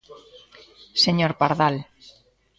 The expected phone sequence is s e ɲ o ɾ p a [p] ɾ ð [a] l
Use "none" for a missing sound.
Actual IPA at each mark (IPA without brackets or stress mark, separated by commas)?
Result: none, a